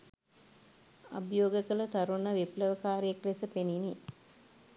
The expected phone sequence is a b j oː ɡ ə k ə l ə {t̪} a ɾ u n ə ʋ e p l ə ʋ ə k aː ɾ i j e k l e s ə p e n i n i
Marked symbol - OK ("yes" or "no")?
yes